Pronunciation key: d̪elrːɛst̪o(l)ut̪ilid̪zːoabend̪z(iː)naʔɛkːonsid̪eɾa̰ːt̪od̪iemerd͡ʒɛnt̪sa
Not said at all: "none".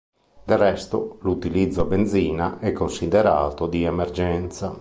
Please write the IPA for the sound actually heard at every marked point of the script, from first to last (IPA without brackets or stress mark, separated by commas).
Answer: l, iː